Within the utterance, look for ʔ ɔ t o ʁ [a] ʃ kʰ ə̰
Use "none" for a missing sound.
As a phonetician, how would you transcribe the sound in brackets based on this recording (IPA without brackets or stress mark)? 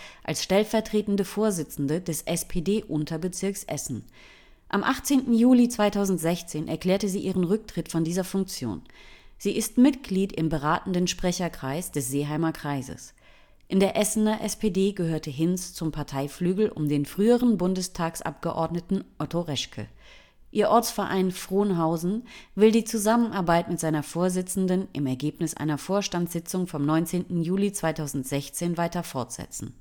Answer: ɛ